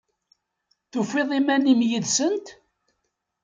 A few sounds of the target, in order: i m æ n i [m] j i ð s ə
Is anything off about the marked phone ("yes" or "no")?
no